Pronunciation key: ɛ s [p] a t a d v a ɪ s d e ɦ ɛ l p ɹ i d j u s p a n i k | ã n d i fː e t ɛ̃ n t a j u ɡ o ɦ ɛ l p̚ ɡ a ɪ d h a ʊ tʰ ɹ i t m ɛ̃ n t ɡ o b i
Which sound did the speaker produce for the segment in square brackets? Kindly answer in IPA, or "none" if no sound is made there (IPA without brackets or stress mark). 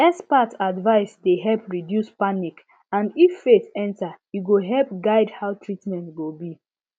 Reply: p